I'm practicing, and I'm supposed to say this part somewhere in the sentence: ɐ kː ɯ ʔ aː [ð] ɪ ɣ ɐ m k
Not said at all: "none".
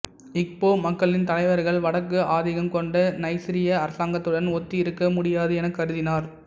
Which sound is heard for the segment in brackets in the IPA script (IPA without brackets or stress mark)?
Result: ð